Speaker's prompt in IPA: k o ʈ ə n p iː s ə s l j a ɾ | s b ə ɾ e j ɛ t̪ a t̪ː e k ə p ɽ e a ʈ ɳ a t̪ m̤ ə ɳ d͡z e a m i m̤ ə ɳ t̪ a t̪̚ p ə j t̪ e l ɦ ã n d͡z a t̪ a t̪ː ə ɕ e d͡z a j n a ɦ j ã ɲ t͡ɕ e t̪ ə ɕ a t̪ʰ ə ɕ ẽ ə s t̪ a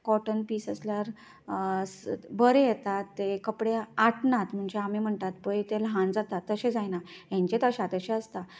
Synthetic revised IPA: k ɔ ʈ ə n p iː s ə s l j a ɾ | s b ə ɾ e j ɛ t̪ a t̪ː e k ə p ɽ e a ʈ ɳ a t̪ m̤ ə ɳ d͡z e a m i m̤ ə ɳ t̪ a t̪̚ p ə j t̪ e l ɦ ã n d͡z a t̪ a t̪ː ə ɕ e d͡z a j n a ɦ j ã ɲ t͡ɕ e t̪ ə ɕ a t̪ ə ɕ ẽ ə s t̪ a

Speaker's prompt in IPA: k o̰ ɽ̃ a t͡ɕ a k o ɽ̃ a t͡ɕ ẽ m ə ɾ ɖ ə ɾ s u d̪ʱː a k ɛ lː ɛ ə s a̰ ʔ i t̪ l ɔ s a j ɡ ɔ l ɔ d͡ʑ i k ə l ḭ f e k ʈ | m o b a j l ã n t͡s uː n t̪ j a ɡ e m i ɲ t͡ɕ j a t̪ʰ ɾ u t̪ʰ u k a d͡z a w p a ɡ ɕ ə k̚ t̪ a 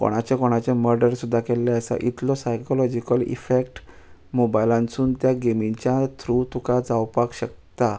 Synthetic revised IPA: k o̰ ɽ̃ a t͡ɕ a k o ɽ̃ a t͡ɕ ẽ m ə ɾ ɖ ə ɾ s u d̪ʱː a k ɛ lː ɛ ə s a̰ ʔ i t̪ l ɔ s a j k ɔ l ɔ d͡ʑ i k ə l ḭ f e k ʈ | m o b a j l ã n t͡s uː n t̪ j a ɡ e m i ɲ t͡ɕ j a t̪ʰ ɾ u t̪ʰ u k a d͡z a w p a k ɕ ə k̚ t̪ a

